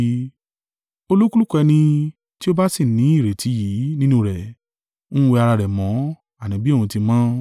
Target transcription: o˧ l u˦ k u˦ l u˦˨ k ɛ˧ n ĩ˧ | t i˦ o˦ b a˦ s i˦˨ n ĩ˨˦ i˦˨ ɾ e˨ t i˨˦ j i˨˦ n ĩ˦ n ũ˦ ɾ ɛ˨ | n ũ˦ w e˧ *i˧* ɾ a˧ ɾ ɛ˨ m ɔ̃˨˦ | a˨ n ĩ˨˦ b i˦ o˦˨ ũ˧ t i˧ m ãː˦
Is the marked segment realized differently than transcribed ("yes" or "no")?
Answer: yes